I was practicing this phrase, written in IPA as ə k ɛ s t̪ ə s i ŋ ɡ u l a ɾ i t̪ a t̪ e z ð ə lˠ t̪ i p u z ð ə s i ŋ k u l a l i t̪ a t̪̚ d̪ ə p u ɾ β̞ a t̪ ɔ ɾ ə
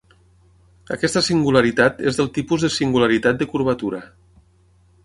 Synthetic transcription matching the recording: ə k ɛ s t̪ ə s i ŋ ɡ u l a ɾ i t̪ a t̪ e z ð ə lˠ t̪ i p u z ð ə s i ŋ ɡ u l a ɾ i t̪ a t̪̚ d̪ ə k u ɾ β̞ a t̪ u ɾ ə

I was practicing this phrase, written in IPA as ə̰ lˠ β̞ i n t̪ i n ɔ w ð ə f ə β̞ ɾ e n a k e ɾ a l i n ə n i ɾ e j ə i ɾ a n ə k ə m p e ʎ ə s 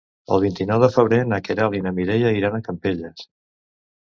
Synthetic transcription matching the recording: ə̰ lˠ β̞ i n t̪ i n ɔ w ð ə f ə β̞ ɾ e n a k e ɾ a l i n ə m i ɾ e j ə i ɾ a n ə k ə m p e ʎ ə s

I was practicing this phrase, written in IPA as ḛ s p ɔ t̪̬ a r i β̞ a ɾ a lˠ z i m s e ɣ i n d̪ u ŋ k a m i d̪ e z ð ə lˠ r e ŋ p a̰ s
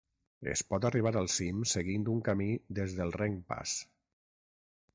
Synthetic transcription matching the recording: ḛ s p ɔ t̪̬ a r i β̞ a ɾ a lˠ s i m s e ɣ i n d̪ u ŋ k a m i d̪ e z ð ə lˠ r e ŋ p a̰ s

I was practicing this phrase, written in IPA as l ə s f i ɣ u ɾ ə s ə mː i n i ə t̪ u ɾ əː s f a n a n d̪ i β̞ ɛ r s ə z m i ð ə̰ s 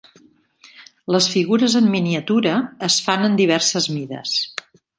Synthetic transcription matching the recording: l ə s f i ɣ u ɾ ə z ə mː i n i ə t̪ u ɾ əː s f a n ə n d̪ i β̞ ɛ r s ə z m i ð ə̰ s

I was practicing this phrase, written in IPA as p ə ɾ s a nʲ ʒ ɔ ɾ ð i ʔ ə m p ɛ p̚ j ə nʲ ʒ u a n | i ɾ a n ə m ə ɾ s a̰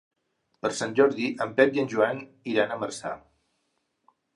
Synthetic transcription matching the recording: p ə ɾ s a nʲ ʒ ɔ ɾ ð i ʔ ə m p ɛ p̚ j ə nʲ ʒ u a n | i ɾ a n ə m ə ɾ s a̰

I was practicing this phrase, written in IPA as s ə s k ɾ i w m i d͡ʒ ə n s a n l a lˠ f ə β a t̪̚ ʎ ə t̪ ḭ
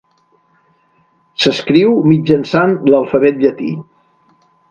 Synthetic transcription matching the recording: s ə s k ɾ i w m i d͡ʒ ə n s a n l ə lˠ f ə β ɛ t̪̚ ʎ ə t̪ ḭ

